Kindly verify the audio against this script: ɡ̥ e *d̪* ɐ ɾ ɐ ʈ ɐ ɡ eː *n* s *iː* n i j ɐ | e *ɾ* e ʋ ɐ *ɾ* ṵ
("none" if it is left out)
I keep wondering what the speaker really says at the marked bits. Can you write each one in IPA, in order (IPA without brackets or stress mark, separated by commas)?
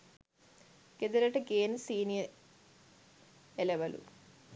d̪, n, iː, l, l